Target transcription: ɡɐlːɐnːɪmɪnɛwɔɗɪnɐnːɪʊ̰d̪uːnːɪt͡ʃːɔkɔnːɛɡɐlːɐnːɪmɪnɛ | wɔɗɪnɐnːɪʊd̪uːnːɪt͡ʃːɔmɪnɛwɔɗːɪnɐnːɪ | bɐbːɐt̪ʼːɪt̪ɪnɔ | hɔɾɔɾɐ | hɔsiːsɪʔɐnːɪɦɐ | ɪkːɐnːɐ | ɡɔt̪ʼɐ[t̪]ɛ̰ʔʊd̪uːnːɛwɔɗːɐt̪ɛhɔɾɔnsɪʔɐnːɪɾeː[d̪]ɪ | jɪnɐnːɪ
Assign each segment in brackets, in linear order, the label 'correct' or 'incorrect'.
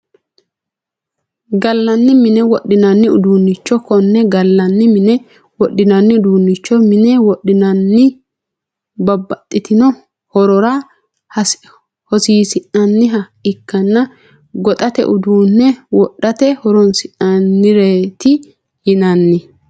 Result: correct, incorrect: t̪

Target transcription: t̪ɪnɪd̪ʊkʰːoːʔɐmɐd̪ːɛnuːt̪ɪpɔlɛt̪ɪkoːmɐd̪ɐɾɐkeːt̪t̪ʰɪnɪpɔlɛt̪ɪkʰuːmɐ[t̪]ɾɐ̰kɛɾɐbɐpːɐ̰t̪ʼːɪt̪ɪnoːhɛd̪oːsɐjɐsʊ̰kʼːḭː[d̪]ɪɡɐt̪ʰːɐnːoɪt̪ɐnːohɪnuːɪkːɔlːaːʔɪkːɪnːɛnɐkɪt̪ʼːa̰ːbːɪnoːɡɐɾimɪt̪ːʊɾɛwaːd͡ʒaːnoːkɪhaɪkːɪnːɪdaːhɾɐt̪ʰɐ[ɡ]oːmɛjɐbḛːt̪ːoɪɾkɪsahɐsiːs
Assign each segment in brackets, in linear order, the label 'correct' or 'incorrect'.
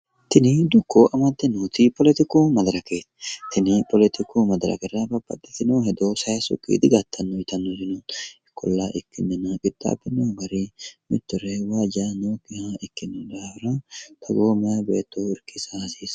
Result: incorrect: d̪, correct, correct

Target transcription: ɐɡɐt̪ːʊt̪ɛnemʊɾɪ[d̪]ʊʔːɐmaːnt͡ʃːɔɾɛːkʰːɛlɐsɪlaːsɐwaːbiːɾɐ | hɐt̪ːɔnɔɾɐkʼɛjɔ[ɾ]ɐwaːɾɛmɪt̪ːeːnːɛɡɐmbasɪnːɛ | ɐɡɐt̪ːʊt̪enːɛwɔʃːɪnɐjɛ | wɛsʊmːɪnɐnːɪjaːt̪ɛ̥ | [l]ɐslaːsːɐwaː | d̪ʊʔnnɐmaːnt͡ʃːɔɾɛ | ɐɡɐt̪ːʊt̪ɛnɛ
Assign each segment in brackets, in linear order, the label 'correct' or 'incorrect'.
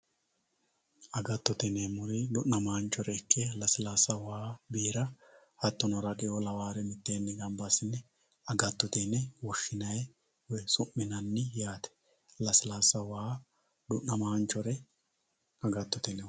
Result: correct, incorrect: l, correct

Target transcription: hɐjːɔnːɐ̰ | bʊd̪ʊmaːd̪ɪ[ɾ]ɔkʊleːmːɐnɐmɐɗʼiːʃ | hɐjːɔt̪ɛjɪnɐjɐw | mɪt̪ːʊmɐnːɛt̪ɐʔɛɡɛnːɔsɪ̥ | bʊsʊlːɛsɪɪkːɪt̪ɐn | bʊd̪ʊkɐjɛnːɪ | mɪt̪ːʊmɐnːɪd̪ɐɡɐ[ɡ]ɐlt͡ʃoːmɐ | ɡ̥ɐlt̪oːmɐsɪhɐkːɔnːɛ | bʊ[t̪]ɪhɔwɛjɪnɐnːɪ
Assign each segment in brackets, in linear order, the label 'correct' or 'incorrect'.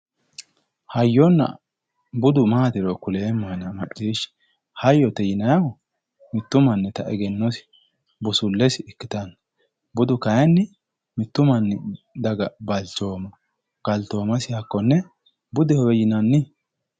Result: correct, incorrect: b, incorrect: d̪

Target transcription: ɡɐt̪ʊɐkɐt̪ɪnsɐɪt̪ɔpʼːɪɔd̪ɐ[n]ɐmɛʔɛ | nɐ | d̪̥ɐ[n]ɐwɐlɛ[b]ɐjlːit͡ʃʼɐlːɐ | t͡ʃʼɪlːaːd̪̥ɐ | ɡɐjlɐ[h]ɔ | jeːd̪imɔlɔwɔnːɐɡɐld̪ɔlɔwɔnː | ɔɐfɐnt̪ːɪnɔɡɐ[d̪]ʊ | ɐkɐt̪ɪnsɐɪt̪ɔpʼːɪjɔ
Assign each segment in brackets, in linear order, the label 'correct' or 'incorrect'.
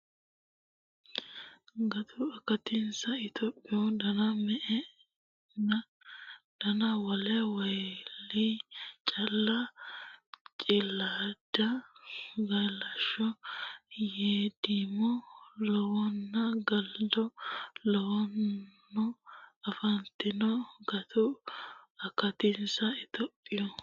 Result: correct, correct, incorrect: w, incorrect: ʃ, incorrect: t̪

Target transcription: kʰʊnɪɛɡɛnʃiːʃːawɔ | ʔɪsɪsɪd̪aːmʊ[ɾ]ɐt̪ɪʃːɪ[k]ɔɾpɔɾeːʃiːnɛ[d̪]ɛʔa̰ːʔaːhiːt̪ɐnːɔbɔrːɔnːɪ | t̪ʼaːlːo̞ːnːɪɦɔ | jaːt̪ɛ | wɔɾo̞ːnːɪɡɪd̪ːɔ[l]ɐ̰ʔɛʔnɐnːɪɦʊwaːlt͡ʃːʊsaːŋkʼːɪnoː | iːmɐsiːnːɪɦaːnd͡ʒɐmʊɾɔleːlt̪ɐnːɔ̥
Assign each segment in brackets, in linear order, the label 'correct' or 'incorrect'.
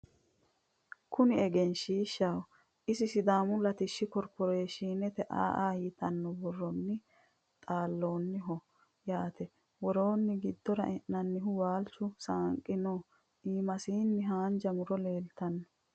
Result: incorrect: l, correct, incorrect: t̪, incorrect: ɾ

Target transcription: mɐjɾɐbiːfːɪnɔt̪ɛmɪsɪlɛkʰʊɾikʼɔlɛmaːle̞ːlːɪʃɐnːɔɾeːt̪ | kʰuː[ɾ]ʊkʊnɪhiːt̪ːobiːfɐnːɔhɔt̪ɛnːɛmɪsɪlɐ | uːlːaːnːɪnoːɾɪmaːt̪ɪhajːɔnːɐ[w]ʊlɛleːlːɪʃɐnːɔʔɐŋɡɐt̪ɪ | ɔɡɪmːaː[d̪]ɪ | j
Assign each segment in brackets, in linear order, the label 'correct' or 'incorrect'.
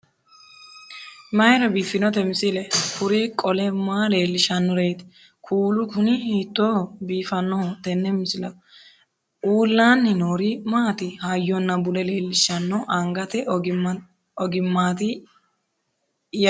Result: incorrect: l, incorrect: b, incorrect: t̪

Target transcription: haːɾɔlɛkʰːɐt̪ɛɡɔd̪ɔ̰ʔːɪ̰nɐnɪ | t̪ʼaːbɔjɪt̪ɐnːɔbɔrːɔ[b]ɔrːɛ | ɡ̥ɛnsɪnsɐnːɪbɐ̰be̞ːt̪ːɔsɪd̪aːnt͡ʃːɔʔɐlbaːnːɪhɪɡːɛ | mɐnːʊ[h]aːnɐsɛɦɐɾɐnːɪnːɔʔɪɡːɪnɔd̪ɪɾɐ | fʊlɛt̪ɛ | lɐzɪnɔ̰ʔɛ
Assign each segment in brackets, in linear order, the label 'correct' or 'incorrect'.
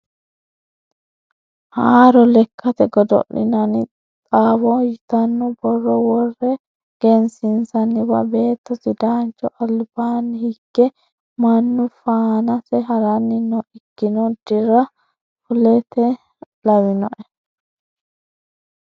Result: incorrect: w, incorrect: f

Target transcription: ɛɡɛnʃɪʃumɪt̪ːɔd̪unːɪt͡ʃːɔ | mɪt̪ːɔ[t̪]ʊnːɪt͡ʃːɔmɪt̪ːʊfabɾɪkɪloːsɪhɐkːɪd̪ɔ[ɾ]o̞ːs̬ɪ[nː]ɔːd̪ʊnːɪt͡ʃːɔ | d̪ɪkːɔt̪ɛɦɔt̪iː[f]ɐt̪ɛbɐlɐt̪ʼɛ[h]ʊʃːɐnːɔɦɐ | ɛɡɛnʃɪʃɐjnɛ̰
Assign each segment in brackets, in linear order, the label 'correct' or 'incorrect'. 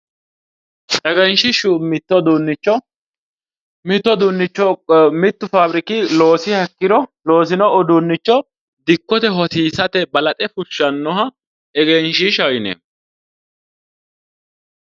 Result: incorrect: d̪, incorrect: l, incorrect: n, incorrect: s, incorrect: f

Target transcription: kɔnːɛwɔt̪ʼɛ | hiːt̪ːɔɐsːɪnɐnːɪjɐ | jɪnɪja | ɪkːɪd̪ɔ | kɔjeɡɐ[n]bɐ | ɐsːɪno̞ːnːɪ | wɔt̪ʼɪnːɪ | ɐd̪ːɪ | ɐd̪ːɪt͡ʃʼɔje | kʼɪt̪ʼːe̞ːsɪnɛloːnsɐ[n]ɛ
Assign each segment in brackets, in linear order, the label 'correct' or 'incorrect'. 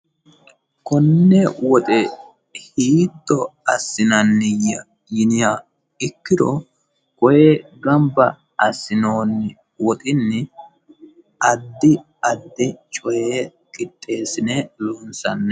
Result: incorrect: m, incorrect: nː

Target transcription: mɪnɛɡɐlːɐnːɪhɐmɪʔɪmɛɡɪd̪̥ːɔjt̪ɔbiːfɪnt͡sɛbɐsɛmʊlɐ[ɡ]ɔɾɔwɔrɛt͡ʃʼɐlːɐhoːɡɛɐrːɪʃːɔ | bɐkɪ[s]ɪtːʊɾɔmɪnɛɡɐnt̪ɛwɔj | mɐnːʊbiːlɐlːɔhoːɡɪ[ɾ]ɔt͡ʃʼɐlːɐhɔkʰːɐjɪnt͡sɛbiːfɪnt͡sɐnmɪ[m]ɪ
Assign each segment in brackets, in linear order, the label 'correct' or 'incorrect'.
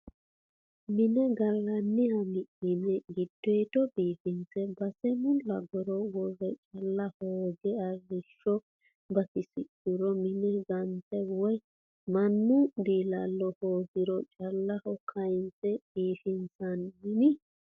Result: correct, correct, correct, incorrect: n

